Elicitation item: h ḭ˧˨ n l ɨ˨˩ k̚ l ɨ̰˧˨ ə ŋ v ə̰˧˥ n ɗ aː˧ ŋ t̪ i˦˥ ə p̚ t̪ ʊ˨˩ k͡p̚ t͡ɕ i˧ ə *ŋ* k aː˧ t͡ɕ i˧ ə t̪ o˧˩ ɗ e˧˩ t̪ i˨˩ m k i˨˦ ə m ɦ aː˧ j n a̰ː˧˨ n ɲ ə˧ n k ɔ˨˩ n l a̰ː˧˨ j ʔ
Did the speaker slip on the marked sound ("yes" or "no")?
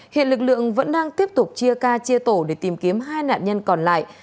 yes